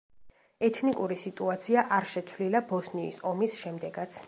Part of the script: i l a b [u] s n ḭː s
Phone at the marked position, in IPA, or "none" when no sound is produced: ɔ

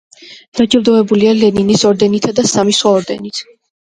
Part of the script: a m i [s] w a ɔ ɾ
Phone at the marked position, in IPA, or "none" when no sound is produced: s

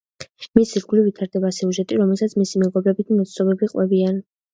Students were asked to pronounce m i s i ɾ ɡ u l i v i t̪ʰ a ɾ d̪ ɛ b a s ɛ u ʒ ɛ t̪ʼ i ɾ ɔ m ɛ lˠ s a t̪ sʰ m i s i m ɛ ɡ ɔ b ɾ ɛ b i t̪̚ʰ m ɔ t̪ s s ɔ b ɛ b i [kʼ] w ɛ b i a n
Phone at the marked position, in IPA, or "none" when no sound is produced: qʼ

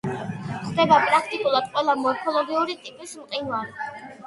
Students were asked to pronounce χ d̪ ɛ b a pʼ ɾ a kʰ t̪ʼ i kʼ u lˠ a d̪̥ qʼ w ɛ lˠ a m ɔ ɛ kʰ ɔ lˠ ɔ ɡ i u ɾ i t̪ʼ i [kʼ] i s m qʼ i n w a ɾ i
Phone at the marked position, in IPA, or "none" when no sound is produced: pʼ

